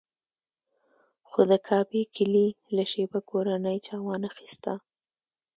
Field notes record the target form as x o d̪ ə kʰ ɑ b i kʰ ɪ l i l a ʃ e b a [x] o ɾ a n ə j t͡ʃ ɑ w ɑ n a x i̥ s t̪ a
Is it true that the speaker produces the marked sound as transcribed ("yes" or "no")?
no